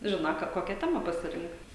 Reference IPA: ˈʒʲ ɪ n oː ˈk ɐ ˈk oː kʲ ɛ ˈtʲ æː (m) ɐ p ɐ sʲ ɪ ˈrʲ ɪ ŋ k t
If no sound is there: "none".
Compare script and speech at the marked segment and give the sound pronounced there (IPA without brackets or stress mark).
m